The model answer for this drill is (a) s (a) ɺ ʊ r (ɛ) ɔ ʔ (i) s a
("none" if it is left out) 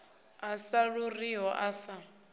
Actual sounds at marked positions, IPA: a, a, i, a

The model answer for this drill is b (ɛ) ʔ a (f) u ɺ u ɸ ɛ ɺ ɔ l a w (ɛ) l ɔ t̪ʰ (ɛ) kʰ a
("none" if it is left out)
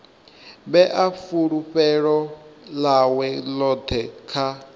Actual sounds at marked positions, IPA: ɛ, f, ɛ, ɛ

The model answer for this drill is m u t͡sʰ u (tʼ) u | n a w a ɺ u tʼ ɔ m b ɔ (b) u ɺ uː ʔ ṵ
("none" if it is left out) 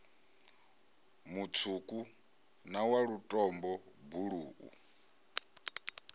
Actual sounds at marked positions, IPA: kʼ, b

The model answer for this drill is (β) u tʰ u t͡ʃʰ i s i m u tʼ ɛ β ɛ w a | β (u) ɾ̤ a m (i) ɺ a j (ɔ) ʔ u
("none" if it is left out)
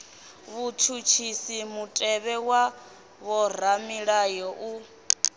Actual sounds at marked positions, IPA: β, ɔ, i, ɔ

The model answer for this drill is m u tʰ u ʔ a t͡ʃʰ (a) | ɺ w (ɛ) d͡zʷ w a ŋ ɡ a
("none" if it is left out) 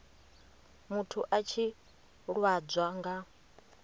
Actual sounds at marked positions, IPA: i, a

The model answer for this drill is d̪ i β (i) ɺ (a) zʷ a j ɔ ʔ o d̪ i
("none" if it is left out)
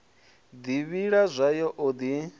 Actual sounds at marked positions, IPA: i, a

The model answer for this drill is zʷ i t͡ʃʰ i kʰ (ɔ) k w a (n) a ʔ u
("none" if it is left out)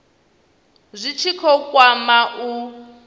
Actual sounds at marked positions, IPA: ɔ, m

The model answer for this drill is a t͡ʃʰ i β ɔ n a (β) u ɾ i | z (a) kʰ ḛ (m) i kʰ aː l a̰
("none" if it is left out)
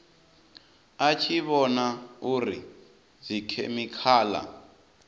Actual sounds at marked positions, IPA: none, i, m

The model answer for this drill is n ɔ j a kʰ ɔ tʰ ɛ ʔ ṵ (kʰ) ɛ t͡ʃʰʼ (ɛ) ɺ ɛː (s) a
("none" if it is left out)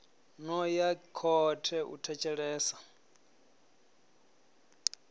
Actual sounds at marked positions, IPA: tʰ, ɛ, s

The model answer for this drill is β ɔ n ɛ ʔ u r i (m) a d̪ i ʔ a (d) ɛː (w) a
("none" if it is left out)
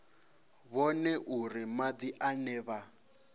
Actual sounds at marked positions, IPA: m, n, β

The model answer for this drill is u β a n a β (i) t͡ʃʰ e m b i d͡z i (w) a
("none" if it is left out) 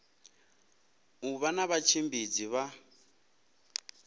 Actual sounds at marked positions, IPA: a, β

